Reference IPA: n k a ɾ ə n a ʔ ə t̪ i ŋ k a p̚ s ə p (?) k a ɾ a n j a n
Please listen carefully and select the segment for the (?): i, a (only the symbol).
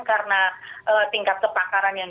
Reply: a